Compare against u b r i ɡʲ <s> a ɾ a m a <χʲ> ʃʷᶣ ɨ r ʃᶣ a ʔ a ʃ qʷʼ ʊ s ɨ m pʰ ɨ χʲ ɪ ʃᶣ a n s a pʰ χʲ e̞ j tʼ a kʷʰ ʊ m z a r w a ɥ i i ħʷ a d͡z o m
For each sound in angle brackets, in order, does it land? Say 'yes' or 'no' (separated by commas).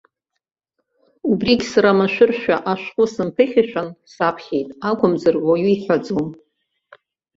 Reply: yes, no